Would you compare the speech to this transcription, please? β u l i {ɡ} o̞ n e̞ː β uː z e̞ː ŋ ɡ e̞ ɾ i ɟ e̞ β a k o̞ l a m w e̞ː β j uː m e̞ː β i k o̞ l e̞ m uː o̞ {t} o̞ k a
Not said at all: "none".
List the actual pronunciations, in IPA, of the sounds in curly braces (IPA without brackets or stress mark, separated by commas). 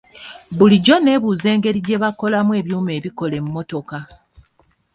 ɟ, t